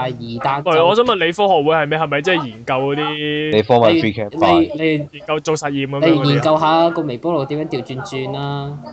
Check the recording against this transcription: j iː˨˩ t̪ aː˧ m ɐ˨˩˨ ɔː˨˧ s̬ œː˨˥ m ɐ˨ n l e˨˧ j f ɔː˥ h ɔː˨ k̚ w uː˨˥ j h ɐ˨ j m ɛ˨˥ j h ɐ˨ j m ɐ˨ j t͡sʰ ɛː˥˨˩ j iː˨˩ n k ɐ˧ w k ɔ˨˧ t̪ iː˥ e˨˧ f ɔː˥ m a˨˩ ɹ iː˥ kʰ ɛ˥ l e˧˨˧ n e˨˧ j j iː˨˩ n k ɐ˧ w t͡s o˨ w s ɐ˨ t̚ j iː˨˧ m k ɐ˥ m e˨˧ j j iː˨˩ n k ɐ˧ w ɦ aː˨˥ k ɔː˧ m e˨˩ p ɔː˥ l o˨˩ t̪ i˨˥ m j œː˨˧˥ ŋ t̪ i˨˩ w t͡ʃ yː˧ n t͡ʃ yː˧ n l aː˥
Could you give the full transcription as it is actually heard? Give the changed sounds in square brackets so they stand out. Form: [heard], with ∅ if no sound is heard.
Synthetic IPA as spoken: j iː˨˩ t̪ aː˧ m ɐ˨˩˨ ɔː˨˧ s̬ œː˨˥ m ɐ˨ n l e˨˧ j f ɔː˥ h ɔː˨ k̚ w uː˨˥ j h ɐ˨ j m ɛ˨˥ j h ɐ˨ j m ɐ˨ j [t͡s] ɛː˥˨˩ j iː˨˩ n k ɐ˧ w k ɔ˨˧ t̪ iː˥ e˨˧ f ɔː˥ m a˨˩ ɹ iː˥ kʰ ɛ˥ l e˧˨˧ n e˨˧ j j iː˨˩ n k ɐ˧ w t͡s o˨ w s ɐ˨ t̚ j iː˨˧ m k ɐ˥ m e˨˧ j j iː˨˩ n k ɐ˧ w ɦ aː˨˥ k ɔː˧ m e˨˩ p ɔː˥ l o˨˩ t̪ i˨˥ m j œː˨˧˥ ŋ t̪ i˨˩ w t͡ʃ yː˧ n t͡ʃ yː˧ n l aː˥